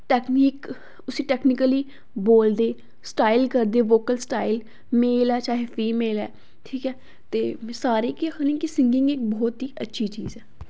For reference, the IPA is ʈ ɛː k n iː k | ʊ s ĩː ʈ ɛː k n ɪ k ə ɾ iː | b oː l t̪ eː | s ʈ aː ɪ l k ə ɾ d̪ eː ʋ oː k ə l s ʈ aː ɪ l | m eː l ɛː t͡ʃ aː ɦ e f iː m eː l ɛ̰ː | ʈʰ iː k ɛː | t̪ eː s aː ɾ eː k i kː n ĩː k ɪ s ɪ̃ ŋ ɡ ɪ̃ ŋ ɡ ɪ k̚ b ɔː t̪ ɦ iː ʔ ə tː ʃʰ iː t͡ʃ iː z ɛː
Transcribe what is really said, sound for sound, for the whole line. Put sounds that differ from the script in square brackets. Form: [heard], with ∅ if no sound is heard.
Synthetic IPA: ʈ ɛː k n iː k | ʊ s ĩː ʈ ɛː k n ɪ k ə [l] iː | b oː l [d̪] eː | s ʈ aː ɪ l k ə ɾ d̪ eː ʋ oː k ə l s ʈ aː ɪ l | m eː l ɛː t͡ʃ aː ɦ e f iː m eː l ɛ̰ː | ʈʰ iː k ɛː | t̪ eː s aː ɾ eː k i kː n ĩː k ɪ s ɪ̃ ŋ ɡ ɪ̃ ŋ ɡ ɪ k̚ b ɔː t̪ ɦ iː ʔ ə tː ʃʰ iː t͡ʃ iː z ɛː